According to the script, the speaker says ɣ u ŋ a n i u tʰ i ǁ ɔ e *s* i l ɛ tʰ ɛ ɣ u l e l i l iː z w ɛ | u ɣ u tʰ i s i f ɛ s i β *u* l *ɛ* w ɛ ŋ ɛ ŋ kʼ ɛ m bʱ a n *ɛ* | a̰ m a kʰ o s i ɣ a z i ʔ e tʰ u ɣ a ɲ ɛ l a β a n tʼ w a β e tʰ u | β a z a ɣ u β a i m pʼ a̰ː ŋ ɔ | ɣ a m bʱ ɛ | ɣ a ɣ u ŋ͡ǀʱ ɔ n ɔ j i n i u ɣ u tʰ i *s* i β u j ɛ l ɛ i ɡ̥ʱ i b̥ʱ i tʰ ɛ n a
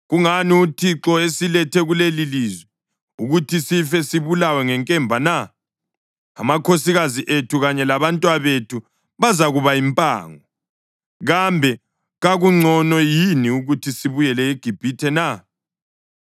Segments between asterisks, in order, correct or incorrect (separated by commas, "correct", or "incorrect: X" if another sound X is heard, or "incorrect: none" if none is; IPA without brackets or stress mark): correct, correct, incorrect: a, incorrect: a, correct